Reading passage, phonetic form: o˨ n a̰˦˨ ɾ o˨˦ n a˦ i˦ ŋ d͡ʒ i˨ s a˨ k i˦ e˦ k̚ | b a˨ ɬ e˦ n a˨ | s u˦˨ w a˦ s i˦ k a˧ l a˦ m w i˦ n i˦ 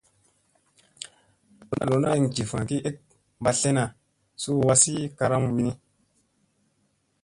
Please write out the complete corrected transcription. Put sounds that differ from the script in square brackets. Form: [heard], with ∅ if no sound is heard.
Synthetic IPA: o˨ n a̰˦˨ [l] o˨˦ n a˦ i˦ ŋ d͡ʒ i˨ [f] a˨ k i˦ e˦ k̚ | b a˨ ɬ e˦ n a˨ | s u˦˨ w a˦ s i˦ k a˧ [ɾ] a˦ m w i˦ n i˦